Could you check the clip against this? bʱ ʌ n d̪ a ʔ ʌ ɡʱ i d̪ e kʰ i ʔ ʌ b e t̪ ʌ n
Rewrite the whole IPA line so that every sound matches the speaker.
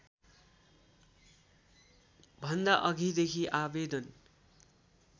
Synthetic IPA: bʱ ʌ n d̪ a ʔ ʌ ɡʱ i d̪ e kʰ i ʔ a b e d̪ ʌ n